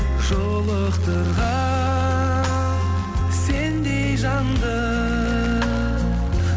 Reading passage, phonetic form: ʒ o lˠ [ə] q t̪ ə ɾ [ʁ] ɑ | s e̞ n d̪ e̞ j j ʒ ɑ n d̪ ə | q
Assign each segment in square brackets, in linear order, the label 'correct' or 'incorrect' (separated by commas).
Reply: correct, correct